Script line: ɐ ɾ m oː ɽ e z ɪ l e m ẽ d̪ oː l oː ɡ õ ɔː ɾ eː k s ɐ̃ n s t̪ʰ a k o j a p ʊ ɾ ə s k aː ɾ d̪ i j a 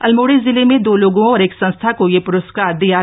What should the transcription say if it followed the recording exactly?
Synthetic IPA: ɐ l m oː ɽ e z ɪ l e m ẽ d̪ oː l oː ɡ õ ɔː ɾ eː k s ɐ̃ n s t̪ʰ a k o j e p ʊ ɾ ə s k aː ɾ d̪ i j a